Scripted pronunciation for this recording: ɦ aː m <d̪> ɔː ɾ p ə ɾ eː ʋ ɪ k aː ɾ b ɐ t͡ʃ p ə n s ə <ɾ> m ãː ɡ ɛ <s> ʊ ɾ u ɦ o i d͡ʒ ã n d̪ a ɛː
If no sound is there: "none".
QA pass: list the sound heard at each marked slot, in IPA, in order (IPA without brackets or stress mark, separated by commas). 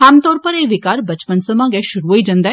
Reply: t̪, none, ʃ